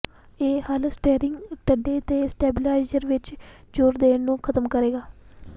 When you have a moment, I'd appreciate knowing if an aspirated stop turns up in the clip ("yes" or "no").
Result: yes